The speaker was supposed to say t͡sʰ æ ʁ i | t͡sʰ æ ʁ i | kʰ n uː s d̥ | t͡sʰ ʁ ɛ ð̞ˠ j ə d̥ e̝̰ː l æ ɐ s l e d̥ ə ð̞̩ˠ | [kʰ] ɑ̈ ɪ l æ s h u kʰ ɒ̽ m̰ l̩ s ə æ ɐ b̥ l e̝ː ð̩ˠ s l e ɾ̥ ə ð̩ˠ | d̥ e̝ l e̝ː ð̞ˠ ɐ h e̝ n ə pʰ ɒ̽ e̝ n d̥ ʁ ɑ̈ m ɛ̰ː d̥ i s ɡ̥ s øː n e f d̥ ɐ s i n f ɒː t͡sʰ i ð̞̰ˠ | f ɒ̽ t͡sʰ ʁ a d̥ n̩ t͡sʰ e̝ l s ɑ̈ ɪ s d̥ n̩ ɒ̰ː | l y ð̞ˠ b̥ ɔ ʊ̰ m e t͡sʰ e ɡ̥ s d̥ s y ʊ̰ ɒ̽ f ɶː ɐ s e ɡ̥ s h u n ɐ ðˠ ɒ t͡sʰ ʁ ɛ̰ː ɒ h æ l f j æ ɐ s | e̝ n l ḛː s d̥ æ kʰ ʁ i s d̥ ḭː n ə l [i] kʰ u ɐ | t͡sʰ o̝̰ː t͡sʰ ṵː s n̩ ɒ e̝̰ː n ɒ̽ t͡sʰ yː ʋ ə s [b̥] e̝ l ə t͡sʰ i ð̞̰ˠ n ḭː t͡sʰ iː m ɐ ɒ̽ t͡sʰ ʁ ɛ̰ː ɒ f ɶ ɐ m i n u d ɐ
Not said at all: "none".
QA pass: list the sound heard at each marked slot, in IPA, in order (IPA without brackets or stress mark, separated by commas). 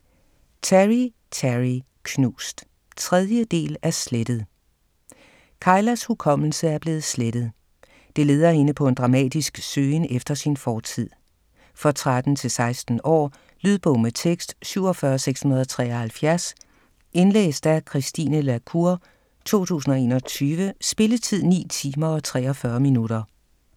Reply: kʰ, æ, b̥